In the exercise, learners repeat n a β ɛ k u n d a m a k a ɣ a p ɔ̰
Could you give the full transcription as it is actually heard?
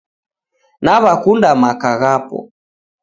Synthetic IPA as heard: n a β a k u n d a m a k a ɣ a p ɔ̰